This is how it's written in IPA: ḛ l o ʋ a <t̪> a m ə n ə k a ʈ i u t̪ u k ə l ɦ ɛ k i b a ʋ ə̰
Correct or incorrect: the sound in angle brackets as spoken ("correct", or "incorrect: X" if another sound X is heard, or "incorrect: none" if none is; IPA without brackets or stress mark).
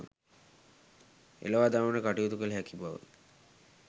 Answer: incorrect: d̪